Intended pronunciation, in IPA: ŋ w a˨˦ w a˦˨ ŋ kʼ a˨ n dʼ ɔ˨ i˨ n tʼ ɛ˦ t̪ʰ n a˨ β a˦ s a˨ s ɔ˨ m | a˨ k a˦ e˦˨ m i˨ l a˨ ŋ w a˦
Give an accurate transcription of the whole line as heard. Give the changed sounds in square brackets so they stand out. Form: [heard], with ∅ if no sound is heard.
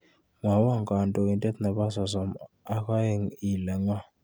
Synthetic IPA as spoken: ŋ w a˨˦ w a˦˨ ŋ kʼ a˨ n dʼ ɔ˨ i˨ n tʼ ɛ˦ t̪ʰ n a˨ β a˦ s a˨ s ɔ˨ m | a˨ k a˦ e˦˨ [ŋ] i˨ l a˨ ŋ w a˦